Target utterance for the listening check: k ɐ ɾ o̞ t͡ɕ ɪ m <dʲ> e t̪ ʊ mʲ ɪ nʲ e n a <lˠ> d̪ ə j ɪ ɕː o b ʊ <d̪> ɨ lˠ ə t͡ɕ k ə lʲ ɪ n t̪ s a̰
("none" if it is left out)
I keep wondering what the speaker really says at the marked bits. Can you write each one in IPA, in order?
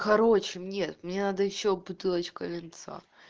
nʲ, none, t̪

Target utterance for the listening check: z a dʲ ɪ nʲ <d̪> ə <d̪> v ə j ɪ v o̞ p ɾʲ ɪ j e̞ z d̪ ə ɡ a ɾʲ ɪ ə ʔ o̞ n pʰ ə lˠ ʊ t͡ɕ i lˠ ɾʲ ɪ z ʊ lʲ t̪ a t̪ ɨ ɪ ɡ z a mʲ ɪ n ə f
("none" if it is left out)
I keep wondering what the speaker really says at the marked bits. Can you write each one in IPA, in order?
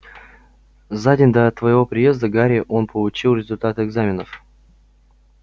d̪, t̪

